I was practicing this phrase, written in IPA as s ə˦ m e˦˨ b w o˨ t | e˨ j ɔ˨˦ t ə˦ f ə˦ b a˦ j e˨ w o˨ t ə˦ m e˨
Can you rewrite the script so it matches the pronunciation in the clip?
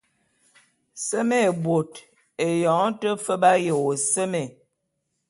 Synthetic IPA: s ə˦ m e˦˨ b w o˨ t | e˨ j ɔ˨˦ t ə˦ f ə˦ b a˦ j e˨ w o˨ s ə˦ m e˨